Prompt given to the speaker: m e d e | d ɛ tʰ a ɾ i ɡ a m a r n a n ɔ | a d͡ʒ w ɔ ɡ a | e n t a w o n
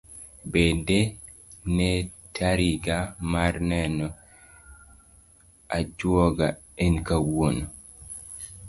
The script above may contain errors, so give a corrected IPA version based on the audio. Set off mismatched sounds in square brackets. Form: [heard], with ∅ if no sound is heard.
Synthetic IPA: [b] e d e | [n] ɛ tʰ a ɾ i ɡ a m a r n [ɛ] n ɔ | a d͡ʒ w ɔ ɡ a | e n [k] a w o n